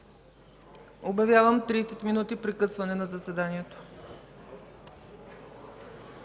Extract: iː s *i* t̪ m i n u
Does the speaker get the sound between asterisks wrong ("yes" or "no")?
yes